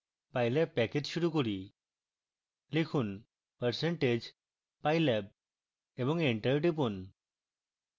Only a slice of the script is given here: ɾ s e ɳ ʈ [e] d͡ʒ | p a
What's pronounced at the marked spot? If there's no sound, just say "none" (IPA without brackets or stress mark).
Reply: e